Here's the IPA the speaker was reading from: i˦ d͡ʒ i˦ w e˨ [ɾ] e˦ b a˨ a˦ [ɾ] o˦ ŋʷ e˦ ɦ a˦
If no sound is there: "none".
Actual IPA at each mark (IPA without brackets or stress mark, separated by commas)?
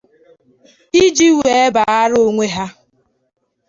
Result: none, ɾ